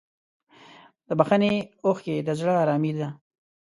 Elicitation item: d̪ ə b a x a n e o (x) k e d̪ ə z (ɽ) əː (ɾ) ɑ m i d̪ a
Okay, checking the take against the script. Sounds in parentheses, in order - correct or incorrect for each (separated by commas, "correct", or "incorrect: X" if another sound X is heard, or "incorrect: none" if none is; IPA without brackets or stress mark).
correct, correct, correct